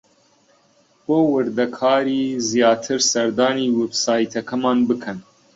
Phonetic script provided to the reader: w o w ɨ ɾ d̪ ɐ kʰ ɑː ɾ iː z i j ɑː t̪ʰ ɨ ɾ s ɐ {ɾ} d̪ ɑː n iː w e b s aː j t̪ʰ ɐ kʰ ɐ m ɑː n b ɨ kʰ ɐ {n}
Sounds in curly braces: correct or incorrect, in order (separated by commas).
correct, correct